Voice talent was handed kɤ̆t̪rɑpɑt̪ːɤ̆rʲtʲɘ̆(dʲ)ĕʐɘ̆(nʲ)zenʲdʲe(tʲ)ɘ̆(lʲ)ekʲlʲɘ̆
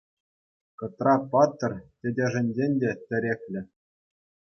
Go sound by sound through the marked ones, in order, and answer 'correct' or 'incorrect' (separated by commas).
correct, correct, correct, incorrect